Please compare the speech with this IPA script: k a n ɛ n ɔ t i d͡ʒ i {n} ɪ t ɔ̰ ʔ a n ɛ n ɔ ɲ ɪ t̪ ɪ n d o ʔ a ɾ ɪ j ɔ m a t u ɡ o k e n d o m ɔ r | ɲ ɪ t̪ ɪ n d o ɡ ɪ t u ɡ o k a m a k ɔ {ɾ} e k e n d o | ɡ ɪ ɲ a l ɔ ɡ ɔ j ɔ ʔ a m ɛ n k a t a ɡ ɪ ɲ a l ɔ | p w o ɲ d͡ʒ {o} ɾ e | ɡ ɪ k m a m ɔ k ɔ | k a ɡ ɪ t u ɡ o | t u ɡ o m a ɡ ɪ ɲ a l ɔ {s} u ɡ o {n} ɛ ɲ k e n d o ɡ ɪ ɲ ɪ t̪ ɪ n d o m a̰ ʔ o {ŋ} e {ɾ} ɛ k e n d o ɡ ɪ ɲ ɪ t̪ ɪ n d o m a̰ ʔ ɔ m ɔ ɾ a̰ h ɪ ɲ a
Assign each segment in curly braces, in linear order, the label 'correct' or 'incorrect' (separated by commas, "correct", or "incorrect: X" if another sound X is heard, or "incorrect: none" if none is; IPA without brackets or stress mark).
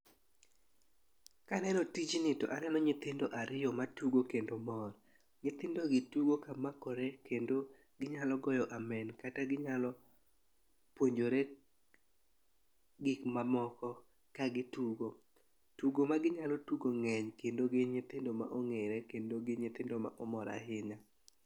correct, correct, correct, incorrect: t, incorrect: ŋ, correct, correct